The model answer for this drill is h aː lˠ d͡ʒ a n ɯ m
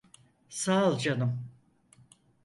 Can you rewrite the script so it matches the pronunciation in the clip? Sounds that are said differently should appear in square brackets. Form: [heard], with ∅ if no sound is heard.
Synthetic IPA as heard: [s] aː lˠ d͡ʒ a n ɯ m